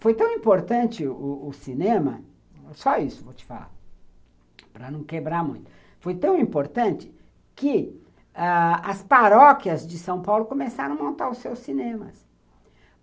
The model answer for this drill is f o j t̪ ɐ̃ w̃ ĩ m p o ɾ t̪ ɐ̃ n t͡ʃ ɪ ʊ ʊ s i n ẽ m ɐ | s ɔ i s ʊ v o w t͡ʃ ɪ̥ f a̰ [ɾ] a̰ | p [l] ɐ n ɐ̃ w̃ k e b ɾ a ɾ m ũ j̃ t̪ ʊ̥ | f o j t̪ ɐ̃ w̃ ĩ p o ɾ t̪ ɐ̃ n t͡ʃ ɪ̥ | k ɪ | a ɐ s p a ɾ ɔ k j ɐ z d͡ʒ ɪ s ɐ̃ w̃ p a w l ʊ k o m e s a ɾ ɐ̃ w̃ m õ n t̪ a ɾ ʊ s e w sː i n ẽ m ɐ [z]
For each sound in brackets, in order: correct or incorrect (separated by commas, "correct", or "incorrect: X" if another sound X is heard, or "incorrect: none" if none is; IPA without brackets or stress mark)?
incorrect: l, incorrect: ɾ, incorrect: s